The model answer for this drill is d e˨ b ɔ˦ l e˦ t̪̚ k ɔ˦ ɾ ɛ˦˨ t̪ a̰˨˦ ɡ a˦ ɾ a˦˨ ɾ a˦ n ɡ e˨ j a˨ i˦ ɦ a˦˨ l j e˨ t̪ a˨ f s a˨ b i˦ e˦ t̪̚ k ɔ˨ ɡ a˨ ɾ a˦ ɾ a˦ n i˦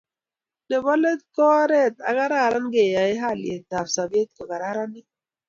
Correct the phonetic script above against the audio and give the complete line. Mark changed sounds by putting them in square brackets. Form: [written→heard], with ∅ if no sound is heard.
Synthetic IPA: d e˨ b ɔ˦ l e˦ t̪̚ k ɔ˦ ɾ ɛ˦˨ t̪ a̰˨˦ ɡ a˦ ɾ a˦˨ ɾ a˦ n ɡ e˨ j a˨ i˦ ɦ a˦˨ l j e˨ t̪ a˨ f s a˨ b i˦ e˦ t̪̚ k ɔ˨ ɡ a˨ ɾ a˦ ɾ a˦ n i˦